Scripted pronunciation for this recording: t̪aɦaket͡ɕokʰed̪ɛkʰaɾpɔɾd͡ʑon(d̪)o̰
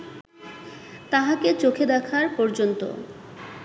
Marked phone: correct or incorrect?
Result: incorrect